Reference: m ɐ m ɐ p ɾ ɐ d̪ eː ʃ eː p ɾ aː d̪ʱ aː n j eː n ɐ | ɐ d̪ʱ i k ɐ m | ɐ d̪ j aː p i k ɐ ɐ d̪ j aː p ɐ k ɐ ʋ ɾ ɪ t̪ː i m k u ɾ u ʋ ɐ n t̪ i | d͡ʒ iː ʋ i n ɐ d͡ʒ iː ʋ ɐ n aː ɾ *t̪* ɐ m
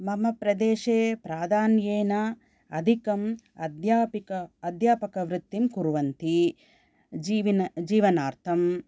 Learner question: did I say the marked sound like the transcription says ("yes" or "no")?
no